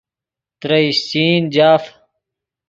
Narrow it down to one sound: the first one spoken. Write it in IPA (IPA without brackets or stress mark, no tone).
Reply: t̪